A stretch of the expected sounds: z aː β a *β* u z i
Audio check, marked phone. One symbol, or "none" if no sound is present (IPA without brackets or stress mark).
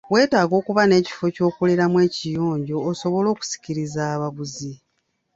β